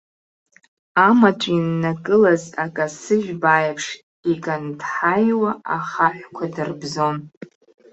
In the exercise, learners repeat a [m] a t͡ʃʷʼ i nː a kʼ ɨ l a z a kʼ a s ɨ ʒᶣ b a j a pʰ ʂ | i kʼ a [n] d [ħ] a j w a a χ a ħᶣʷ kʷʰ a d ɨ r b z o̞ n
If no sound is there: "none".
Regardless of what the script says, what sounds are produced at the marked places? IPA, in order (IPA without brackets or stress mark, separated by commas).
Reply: m, n, ħ